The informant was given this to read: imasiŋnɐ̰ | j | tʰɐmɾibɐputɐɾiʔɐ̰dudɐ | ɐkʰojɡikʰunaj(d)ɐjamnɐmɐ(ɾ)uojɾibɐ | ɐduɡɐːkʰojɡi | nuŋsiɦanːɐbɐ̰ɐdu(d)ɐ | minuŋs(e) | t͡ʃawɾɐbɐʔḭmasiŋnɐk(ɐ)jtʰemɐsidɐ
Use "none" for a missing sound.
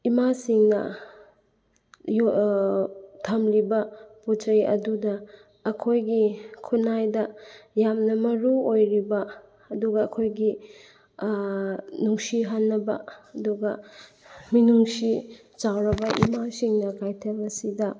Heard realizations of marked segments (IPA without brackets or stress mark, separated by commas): d, ɾ, ɡ, i, a